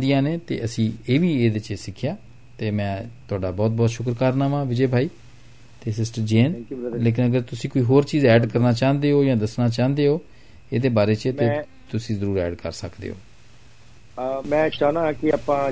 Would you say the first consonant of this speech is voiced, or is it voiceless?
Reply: voiced